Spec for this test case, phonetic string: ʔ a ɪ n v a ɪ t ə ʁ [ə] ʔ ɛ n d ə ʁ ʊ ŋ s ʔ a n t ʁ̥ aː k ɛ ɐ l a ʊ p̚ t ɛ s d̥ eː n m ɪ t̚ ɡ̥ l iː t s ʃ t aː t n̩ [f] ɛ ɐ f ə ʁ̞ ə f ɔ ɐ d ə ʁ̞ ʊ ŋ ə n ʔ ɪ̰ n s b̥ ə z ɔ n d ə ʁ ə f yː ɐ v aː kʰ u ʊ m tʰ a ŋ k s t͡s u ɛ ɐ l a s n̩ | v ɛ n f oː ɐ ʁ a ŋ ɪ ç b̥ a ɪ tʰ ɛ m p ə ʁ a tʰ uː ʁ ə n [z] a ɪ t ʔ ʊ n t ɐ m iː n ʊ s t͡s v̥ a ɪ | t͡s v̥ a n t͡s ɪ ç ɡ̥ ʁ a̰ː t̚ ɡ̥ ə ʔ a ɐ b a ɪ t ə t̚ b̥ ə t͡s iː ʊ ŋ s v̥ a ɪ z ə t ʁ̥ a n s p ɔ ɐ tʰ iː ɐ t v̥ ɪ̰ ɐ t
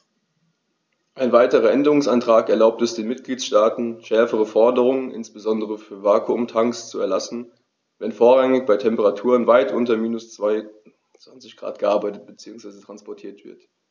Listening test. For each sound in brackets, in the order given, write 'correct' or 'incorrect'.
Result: incorrect, incorrect, incorrect

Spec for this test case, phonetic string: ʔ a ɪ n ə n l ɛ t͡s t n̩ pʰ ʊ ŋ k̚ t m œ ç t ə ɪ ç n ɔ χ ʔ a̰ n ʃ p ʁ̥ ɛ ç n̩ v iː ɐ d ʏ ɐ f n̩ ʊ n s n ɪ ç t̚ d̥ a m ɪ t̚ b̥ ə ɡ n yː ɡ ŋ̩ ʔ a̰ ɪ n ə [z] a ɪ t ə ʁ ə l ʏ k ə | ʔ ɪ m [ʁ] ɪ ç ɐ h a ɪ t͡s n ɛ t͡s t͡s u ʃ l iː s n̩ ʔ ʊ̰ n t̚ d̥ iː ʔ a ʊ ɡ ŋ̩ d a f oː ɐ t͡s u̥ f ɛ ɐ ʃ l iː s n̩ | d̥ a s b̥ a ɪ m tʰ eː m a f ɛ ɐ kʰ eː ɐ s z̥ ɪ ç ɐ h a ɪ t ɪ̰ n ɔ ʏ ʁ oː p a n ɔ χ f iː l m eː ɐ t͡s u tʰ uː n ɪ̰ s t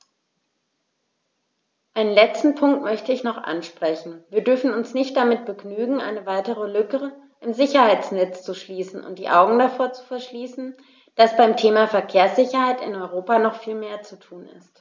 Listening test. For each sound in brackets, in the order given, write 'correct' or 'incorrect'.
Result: incorrect, incorrect

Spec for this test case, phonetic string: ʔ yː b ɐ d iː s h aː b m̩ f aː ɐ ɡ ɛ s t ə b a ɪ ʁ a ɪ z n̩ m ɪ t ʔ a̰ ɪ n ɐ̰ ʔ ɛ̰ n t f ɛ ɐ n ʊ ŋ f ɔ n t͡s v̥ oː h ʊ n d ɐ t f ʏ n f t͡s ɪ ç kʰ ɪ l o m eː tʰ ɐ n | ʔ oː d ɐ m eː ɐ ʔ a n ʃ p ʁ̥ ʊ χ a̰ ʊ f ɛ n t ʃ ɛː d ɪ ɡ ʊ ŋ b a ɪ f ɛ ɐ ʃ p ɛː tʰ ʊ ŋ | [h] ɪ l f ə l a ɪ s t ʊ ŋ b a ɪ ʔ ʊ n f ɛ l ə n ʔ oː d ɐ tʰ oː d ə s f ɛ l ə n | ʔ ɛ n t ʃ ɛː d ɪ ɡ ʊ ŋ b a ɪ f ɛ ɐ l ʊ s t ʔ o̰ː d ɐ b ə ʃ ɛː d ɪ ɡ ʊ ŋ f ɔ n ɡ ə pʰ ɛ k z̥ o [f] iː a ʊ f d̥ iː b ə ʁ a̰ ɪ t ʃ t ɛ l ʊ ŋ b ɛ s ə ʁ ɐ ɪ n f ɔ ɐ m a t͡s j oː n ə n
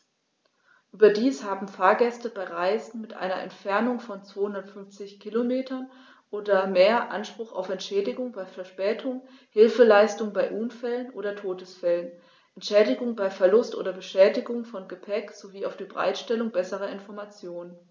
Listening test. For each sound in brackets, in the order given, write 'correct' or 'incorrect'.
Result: correct, incorrect

